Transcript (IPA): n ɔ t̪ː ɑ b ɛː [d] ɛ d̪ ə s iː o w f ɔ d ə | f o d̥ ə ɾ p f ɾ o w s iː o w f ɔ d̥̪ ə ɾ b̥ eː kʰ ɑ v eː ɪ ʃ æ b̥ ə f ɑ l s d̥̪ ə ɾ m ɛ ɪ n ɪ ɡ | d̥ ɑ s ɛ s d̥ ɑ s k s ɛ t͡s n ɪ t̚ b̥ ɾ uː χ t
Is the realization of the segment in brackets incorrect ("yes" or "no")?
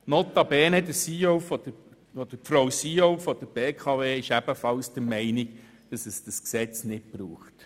yes